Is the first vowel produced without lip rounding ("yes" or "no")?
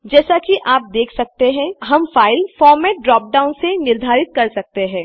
yes